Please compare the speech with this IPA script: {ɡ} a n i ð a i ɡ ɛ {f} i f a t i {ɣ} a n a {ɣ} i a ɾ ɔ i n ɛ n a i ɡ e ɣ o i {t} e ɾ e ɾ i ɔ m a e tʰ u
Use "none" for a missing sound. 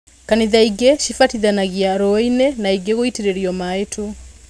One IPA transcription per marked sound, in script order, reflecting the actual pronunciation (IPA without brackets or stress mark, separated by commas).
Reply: k, ʃ, ð, ɣ, t